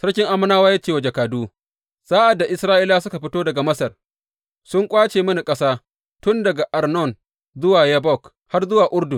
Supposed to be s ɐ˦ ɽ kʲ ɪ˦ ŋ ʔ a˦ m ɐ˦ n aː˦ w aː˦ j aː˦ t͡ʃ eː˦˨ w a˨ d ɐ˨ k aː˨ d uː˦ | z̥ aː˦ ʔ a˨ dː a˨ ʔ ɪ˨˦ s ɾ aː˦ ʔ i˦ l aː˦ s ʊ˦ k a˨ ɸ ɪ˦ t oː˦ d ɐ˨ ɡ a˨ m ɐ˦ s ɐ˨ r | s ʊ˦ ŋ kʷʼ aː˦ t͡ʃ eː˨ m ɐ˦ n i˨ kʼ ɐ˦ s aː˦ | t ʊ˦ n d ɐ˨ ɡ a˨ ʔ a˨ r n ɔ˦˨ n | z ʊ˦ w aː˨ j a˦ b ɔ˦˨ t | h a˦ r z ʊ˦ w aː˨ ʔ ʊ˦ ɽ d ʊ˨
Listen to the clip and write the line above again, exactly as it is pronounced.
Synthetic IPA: s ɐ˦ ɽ kʲ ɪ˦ ŋ ʔ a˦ m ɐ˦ n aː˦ w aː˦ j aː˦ t͡ʃ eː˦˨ w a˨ d͡ʒ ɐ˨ k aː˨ d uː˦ | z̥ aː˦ ʔ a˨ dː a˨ ʔ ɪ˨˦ s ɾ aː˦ ʔ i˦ l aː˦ s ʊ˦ k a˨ ɸ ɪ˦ t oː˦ d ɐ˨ ɡ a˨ m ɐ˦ s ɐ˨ r | s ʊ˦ ŋ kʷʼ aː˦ t͡ʃ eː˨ m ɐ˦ n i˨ kʼ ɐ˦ s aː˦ | t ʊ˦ n d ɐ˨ ɡ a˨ ʔ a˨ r n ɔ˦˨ n | z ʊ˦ w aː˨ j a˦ b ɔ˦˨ k | h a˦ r z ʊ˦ w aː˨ ʔ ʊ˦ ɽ d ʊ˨